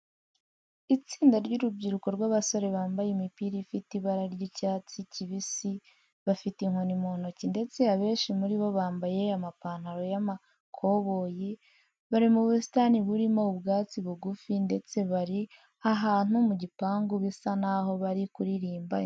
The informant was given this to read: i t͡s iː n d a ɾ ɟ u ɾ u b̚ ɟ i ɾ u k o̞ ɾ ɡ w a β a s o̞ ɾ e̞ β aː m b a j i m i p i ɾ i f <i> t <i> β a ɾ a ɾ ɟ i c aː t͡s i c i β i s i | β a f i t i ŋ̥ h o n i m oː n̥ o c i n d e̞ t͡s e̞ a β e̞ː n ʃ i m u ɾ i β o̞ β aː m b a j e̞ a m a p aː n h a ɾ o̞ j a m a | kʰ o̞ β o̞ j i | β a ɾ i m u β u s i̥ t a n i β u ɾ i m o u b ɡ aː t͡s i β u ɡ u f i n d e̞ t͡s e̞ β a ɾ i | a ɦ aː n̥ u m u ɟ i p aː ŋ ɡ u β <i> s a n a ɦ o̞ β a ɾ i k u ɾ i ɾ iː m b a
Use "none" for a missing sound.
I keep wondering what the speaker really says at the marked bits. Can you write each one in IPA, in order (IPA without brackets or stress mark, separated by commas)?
i, i, i